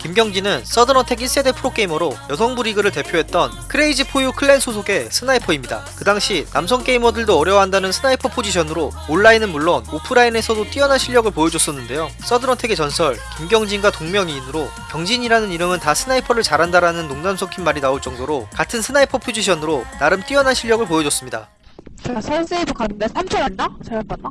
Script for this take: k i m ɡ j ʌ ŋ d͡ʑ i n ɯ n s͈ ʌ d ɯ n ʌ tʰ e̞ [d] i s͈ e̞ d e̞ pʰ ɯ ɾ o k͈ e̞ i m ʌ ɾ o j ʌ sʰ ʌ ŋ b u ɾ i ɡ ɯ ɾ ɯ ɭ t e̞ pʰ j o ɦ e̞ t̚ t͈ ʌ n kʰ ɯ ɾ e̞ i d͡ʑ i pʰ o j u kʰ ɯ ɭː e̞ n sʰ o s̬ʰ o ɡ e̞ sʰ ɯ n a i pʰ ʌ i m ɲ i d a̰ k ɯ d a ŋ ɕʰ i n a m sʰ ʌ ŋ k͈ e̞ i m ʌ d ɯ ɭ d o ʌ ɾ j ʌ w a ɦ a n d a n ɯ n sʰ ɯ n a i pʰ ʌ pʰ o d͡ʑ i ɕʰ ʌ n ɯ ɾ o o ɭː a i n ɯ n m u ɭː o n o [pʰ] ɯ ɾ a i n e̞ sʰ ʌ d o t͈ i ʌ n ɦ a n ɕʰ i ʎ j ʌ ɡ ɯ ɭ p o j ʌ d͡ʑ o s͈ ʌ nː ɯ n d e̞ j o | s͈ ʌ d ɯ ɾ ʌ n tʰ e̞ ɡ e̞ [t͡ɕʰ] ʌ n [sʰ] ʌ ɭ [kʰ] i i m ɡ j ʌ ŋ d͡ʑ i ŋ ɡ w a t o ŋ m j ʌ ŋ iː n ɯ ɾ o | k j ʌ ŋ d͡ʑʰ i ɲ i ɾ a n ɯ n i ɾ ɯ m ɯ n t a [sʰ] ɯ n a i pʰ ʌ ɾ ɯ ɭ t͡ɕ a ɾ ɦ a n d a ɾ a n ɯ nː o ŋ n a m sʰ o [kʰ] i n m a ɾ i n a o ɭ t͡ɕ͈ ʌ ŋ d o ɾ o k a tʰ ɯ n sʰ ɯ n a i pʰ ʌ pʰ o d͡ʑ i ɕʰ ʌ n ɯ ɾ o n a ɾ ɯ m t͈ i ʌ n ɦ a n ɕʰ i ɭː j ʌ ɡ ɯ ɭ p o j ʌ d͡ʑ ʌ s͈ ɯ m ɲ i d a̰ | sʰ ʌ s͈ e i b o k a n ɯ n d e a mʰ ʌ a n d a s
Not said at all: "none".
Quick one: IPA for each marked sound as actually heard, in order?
ɡ, pʰ, t͡ɕ, sʰ, k, sʰ, kʰ

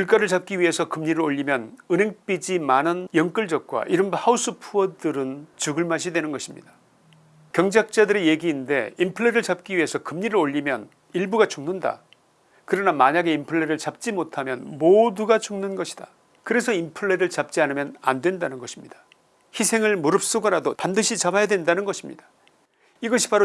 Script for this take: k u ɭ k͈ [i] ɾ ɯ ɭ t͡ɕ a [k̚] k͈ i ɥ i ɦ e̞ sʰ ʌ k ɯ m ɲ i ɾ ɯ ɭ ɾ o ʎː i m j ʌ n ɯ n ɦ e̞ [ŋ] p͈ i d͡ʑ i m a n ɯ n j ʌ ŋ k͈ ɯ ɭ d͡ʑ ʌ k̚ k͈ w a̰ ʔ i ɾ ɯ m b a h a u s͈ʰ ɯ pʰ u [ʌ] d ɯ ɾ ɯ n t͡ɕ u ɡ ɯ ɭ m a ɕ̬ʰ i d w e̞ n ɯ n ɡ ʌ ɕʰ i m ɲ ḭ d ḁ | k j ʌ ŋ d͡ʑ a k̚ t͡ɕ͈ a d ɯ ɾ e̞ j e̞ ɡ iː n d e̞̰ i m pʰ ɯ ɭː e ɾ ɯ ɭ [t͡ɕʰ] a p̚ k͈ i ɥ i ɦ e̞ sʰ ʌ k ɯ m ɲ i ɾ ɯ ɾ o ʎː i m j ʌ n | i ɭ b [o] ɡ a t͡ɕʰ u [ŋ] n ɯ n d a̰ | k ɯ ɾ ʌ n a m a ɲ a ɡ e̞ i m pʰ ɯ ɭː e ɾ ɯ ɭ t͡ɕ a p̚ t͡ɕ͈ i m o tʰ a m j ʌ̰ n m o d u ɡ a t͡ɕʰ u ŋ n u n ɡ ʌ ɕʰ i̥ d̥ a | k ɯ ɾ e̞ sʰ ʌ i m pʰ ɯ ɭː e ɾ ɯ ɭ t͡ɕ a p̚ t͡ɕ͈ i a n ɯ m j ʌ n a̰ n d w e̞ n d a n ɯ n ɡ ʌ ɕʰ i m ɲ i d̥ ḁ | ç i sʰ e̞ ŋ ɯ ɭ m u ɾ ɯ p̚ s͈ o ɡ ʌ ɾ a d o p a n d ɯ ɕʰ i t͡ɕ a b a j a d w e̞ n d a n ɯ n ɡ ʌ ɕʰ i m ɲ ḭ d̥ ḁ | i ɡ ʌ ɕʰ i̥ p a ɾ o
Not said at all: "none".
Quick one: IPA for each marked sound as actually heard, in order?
a, p̚, ŋ, ʌ, t͡ɕ, u, ŋ

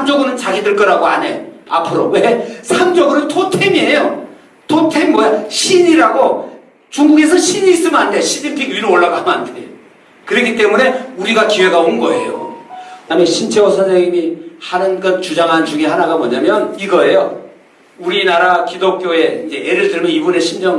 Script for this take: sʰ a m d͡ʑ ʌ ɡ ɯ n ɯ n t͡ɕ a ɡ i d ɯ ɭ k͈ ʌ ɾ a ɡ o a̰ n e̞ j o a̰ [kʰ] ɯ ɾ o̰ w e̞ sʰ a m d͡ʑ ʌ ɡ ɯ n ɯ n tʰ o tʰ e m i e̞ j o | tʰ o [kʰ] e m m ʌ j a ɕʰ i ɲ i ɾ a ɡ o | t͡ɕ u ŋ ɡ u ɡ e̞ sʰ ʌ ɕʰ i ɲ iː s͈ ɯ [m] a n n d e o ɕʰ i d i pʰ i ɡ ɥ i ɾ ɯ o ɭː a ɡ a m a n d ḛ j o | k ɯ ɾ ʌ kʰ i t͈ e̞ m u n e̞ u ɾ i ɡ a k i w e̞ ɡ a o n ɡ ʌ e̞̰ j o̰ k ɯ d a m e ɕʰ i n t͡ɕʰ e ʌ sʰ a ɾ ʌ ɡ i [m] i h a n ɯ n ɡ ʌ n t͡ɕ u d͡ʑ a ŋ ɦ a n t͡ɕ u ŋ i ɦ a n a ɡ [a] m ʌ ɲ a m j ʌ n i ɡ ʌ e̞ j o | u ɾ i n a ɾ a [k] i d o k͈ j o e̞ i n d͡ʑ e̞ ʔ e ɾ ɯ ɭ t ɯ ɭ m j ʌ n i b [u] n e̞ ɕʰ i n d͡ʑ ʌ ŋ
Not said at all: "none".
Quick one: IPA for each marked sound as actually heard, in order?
pʰ, tʰ, m, m, a, k, u

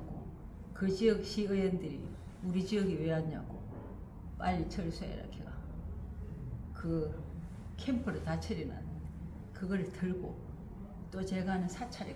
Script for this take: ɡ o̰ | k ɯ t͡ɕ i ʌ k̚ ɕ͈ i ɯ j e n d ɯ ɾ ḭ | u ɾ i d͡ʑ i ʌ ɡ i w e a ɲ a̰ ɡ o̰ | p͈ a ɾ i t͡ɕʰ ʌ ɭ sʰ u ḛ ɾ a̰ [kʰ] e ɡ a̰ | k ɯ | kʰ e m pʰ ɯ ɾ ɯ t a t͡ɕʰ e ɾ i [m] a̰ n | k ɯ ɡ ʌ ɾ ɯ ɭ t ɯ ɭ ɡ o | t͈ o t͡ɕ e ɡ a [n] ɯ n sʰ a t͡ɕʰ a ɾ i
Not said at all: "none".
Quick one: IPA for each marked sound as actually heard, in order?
kʰ, n, n

